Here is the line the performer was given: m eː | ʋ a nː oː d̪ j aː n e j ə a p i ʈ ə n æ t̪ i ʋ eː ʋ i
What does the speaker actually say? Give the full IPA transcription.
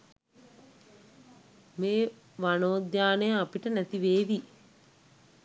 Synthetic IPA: m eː | ʋ a n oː d̪ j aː n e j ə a p i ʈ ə n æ t̪ i ʋ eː ʋ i